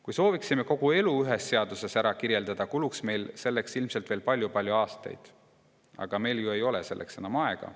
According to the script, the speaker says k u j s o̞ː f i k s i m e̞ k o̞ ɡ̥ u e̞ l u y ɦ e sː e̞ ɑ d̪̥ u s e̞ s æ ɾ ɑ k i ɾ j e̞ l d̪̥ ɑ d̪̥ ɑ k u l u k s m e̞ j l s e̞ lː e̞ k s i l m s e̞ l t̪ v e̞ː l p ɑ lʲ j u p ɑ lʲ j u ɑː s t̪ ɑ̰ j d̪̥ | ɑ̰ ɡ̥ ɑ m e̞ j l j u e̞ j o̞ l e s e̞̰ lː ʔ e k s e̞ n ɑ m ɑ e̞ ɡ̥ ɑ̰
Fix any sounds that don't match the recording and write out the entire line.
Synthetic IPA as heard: k u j s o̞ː v i k s i m e̞ k o̞ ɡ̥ u e̞ l u y ɦ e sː e̞ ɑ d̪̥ u s e̞ s æ ɾ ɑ k i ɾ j e̞ l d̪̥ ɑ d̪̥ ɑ k u l u k s m e̞ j l s e̞ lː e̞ k s i l m s e̞ l t̪ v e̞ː l p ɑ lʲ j u p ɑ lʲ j u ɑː s t̪ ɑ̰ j d̪̥ | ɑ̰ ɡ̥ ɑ m e̞ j l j u e̞ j o̞ l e s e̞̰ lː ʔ e k s e̞ n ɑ m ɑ e̞ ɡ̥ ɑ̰